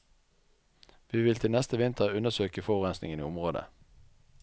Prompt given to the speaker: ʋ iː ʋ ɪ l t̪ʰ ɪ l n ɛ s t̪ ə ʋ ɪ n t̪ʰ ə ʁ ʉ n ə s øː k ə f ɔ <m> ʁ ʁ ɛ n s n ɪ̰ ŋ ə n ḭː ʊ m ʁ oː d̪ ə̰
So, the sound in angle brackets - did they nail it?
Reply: no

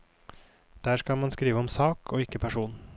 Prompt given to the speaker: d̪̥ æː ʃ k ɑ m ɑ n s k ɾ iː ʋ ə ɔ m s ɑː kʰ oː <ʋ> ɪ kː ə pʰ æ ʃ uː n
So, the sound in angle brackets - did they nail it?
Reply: no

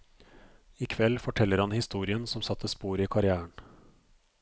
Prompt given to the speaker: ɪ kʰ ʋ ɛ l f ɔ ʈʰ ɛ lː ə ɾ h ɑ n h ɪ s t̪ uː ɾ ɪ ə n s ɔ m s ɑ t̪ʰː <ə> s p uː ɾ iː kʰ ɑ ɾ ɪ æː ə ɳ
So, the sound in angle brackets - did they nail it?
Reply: yes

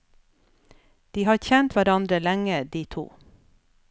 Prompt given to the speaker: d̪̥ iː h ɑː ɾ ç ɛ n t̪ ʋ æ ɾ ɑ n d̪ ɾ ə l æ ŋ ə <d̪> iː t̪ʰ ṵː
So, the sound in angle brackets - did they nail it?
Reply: yes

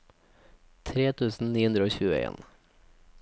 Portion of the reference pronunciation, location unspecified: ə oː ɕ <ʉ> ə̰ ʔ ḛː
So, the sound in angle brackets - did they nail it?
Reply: no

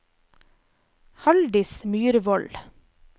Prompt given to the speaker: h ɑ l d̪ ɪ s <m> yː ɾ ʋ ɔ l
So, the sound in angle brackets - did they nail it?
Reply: yes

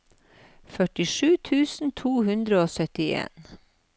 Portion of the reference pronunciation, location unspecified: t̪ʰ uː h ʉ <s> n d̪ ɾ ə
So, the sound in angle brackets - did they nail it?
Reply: no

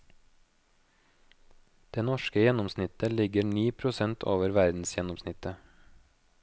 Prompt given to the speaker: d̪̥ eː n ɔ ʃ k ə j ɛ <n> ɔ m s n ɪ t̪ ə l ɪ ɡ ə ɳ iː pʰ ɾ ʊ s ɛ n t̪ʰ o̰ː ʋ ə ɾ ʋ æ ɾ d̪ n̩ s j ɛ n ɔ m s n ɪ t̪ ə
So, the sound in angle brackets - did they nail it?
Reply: yes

